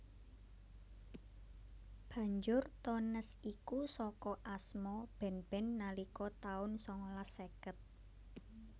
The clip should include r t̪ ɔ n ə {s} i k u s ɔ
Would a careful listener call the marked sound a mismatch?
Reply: no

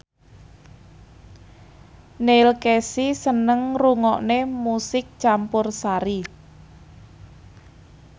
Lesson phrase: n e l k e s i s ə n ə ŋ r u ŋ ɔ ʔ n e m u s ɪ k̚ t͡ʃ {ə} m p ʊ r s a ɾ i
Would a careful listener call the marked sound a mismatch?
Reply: yes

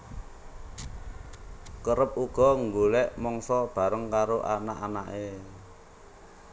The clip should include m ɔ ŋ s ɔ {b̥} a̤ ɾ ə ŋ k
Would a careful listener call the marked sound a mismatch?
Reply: no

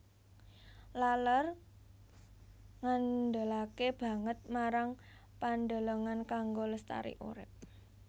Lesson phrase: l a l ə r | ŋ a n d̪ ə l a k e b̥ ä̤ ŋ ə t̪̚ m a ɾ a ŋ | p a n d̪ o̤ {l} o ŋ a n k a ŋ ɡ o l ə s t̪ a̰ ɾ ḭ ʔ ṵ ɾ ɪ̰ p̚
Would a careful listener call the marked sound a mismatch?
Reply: no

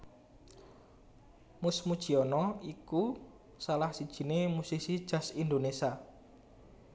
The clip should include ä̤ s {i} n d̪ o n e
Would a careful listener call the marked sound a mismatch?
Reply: no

